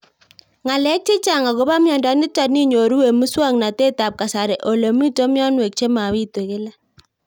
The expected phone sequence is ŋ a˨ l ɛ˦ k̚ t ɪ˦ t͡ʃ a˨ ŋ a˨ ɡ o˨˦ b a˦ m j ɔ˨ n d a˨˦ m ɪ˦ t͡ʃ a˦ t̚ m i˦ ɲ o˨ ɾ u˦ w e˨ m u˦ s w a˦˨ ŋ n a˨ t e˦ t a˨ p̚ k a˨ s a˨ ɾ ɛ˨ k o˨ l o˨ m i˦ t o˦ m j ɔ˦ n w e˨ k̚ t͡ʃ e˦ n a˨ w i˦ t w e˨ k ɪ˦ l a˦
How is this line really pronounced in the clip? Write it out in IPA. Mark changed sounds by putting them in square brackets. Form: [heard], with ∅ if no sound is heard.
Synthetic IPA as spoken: ŋ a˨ l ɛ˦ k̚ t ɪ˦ t͡ʃ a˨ ŋ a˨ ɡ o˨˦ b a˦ m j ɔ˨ n d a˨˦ [n] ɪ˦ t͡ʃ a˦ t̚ [n] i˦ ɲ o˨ ɾ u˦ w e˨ m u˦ s w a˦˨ ŋ n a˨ t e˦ t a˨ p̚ k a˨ s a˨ ɾ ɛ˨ [ʔ] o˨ l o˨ m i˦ t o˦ m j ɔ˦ n w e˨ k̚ t͡ʃ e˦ [m] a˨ w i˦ t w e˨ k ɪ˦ l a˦